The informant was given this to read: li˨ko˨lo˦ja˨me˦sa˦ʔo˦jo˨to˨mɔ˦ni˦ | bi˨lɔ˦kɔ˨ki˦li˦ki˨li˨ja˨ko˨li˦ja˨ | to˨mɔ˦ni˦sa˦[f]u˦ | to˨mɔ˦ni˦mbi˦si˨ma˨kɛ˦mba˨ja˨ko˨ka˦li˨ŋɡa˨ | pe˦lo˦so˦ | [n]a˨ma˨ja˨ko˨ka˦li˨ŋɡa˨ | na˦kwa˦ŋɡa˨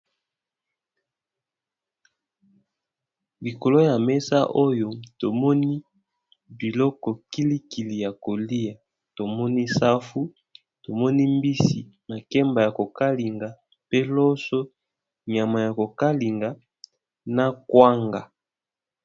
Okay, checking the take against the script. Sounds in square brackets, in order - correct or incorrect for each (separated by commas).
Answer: correct, incorrect